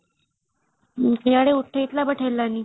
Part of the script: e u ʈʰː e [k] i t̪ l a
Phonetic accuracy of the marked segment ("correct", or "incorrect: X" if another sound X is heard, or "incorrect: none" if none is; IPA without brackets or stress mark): incorrect: none